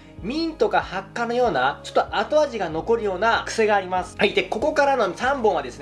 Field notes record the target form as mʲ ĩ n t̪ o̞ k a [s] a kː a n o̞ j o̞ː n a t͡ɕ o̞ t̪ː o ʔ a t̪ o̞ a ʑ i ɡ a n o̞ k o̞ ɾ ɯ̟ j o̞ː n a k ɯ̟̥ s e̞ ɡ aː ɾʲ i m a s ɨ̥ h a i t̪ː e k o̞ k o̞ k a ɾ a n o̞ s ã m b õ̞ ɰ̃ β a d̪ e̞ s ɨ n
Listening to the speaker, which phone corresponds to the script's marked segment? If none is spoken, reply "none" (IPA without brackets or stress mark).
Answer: h